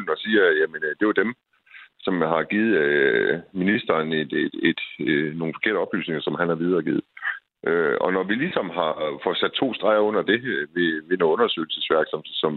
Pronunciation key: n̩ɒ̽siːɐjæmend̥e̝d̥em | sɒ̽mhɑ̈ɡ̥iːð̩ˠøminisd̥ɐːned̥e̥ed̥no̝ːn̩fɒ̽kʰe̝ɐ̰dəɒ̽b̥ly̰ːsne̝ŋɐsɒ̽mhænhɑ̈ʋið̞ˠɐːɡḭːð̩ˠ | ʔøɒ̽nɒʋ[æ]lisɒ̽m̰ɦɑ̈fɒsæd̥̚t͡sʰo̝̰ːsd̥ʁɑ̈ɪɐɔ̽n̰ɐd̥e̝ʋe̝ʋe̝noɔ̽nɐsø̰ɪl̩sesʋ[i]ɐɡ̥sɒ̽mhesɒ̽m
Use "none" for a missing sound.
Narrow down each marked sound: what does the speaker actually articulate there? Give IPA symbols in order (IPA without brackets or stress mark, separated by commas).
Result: i, æ